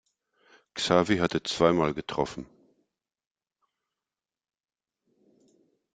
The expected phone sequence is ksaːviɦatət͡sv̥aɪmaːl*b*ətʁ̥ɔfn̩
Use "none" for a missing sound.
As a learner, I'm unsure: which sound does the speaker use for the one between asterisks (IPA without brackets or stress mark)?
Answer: ɡ